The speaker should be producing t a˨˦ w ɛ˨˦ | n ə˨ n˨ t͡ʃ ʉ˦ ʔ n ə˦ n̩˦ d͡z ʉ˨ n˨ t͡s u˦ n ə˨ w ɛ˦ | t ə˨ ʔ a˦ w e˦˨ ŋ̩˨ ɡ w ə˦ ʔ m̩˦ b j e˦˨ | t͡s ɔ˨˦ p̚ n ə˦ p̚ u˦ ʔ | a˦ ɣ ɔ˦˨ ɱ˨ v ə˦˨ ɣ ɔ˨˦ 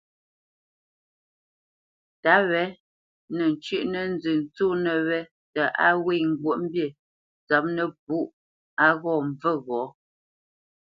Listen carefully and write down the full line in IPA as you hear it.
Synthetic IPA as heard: t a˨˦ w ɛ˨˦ | n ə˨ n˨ t͡ʃ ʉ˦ ʔ n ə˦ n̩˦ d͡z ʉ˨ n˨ t͡s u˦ n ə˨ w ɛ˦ | t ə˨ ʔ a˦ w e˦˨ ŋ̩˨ ɡ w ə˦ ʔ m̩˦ b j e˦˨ | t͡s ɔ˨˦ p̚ n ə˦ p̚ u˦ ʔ | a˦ ɣ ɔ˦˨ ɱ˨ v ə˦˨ ɣ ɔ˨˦